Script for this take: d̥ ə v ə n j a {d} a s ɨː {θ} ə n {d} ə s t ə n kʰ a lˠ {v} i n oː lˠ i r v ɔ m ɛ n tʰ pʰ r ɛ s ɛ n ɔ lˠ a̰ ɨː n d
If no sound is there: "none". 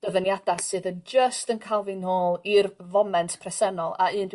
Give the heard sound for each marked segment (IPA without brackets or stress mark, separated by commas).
d, ð, d͡ʒ, v